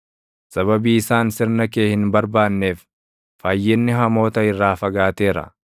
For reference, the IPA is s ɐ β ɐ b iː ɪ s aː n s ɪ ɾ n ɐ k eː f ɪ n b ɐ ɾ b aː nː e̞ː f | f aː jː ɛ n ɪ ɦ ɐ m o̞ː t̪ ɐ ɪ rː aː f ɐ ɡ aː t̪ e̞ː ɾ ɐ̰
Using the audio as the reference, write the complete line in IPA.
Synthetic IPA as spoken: s ɐ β ɐ b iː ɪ s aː n s ɪ ɾ n ɐ k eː h ɪ n b ɐ ɾ b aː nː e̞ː f | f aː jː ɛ nː ɪ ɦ ɐ m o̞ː t̪ ɐ ɪ rː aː f ɐ ɡ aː t̪ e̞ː ɾ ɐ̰